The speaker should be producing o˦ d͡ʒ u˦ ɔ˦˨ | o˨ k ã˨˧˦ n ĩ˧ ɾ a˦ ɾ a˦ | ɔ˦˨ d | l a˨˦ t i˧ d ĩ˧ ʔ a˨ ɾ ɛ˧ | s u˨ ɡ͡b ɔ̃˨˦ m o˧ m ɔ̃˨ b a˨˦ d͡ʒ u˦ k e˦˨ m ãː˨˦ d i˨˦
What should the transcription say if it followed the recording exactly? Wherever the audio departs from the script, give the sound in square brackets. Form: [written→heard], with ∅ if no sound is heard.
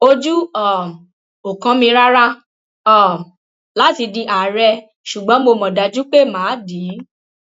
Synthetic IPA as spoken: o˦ d͡ʒ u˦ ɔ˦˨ | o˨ k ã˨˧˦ [n→m] ĩ˧ ɾ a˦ ɾ a˦ | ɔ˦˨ [d→∅] | l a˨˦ t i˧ d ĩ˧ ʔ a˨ ɾ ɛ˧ | [s→ʃ] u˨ ɡ͡b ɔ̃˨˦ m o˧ m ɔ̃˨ [b→d] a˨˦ d͡ʒ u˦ [k→k͡p] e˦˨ m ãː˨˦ d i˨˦